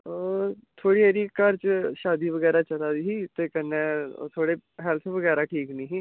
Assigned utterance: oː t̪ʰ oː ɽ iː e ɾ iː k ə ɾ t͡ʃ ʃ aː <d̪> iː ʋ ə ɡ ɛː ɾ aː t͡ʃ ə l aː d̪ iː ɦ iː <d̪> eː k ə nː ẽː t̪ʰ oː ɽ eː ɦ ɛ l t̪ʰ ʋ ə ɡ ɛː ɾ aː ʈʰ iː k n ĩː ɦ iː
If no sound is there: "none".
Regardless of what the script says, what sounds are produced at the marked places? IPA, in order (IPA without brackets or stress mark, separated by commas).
d̪, t̪